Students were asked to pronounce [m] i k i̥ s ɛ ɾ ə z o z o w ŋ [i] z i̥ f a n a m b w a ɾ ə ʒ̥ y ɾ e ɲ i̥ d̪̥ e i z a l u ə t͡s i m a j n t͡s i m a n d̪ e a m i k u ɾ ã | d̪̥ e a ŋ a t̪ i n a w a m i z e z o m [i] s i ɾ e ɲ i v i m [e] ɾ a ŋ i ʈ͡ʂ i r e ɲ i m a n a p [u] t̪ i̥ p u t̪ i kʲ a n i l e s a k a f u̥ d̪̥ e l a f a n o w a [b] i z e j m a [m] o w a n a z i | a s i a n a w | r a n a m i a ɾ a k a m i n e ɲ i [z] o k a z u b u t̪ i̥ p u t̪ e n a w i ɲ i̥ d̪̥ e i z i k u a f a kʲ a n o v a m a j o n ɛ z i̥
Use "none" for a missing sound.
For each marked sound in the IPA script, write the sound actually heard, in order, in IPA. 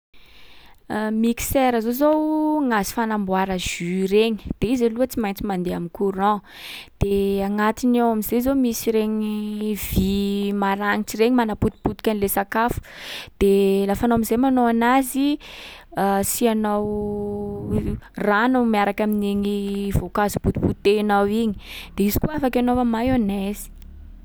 m, a, i, a, u, m, n, v

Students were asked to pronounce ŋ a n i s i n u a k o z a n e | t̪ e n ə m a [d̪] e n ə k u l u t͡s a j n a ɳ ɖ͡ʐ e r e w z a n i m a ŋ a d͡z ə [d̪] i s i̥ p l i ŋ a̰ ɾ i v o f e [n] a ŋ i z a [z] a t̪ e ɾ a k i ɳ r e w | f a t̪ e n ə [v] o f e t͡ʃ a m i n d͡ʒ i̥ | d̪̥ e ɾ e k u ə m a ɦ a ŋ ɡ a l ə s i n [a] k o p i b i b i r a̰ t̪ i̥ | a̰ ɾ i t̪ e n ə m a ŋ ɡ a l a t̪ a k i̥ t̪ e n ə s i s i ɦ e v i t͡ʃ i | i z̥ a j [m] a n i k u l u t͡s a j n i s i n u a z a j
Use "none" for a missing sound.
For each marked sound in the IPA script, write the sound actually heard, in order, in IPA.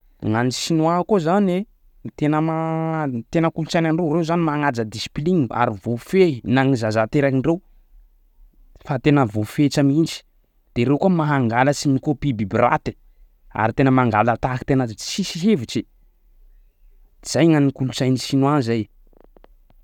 t̪, d̪, n, z, v, i, ŋ

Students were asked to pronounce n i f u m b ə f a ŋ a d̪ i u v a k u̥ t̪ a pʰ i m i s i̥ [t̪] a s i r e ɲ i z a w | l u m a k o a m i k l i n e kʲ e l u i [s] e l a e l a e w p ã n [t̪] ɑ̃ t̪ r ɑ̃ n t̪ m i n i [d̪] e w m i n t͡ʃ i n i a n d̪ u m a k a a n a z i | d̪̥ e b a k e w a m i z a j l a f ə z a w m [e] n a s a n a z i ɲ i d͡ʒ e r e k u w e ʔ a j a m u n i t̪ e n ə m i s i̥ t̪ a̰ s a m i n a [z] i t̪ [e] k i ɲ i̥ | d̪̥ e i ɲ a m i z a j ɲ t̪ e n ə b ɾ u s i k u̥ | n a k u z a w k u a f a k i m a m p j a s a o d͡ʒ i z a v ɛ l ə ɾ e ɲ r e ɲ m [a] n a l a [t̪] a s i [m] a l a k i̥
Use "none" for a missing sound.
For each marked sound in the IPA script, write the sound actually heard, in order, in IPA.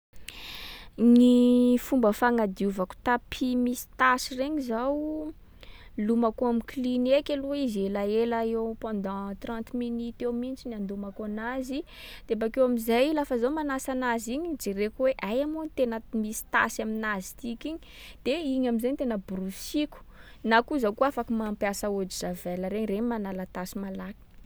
t̪, z, d̪, t̪, a, z, i, a, t̪, m

